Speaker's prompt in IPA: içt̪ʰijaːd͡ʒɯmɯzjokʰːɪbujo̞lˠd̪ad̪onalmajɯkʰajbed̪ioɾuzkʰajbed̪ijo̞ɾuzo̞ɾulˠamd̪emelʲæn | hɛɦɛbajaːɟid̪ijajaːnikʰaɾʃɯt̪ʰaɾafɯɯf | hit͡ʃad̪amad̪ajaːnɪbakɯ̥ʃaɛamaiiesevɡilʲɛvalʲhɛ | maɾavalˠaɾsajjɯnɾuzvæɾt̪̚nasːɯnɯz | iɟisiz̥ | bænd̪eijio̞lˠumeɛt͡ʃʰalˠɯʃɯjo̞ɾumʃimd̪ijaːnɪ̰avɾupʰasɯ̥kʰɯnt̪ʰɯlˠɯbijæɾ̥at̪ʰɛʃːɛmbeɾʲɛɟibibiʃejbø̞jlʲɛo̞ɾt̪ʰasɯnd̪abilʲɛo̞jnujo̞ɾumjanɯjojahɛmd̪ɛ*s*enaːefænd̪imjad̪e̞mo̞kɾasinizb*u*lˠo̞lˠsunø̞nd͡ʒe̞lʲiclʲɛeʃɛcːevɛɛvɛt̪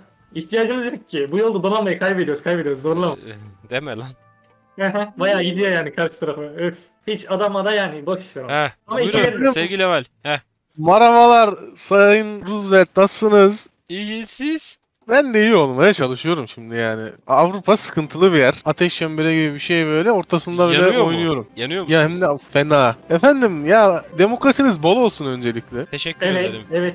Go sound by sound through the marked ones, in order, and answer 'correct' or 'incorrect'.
incorrect: f, incorrect: o

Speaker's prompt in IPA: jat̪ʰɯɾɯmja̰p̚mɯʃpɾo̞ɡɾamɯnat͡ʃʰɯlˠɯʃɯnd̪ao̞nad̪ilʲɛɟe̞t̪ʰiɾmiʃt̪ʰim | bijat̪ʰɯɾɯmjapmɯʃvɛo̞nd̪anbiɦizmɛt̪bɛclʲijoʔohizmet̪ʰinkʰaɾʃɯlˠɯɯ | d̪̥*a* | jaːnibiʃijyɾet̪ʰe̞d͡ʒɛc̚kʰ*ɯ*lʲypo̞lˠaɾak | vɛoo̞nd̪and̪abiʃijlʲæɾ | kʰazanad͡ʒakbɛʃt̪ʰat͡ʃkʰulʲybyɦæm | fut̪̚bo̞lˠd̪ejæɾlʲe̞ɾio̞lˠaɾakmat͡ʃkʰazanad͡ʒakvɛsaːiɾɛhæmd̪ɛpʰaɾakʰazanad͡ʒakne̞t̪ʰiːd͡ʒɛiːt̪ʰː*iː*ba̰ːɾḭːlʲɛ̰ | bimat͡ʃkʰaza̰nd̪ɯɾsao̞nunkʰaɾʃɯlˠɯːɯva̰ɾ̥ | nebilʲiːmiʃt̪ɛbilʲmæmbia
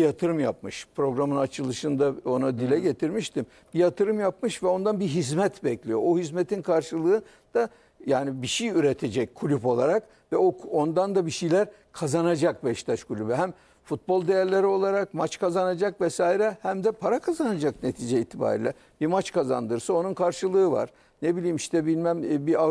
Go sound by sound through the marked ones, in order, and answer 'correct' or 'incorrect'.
correct, incorrect: u, incorrect: i

